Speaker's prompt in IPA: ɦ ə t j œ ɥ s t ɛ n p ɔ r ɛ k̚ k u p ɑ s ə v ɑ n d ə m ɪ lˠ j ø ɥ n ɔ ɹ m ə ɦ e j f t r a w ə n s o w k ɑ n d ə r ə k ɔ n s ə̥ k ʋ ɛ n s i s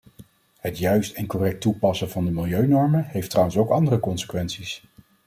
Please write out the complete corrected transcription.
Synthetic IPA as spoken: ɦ ə t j œ ɥ s t ɛ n k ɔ r ɛ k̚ t u p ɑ s ə v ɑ n d ə m ɪ lˠ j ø ɥ n ɔ ɹ m ə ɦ e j f t r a w ə n s o w k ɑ n d ə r ə k ɔ n s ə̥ k ʋ ɛ n s i s